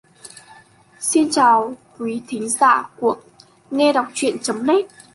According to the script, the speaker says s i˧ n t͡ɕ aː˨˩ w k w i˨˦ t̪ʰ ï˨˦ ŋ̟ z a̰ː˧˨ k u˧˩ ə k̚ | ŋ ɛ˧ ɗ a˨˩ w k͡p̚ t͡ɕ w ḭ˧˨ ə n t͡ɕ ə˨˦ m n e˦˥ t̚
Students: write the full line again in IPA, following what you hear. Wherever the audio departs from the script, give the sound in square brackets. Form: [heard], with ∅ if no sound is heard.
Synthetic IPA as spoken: s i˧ n t͡ɕ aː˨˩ w k w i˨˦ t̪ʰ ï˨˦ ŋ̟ z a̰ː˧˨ k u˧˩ ə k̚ | ŋ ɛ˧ ɗ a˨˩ w k͡p̚ t͡ɕ w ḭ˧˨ ə n t͡ɕ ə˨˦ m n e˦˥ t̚